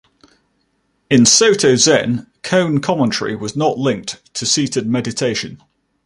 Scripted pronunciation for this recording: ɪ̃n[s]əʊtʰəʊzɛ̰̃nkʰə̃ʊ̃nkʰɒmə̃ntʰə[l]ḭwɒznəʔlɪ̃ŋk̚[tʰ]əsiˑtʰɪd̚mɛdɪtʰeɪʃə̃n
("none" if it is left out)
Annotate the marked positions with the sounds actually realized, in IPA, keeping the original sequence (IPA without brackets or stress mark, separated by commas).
s, ɹ, tʰ